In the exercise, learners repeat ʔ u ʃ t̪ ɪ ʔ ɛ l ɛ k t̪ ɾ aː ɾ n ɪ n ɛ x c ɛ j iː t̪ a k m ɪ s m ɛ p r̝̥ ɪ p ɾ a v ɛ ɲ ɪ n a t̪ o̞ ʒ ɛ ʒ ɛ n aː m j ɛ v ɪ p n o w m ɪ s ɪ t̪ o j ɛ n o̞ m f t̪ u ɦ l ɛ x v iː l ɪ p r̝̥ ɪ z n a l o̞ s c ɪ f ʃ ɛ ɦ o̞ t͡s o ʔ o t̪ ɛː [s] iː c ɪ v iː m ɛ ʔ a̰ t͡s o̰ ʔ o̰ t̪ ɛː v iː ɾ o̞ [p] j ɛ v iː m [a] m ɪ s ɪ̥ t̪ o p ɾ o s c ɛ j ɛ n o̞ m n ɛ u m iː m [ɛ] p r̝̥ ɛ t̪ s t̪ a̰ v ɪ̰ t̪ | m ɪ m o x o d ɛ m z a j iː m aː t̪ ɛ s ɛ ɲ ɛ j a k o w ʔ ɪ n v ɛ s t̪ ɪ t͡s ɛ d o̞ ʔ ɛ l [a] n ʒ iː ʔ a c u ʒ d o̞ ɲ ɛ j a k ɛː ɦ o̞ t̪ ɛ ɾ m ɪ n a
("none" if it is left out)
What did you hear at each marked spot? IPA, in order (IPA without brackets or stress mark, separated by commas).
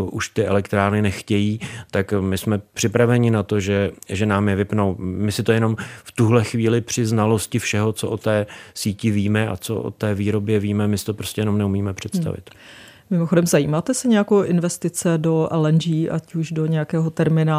s, b, ɛ, ɛ, ɛ